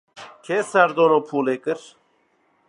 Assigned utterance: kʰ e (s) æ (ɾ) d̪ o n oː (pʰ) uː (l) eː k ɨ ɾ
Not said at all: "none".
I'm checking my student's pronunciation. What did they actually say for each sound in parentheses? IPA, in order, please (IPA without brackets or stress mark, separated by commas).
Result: s, ɾ, pʰ, l